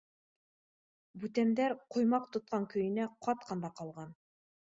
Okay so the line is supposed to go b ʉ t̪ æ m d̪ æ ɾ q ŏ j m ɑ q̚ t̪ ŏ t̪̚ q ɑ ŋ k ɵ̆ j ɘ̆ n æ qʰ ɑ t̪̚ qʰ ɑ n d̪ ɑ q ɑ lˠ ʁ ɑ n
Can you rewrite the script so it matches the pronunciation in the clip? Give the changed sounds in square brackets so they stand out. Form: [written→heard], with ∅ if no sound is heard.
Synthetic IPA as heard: b ʉ t̪ æ m d̪ æ ɾ q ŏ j m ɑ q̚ t̪ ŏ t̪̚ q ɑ ŋ k ɵ̆ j ɘ̆ n æ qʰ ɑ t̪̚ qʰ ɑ n d̪ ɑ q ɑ lˠ ʁ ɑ n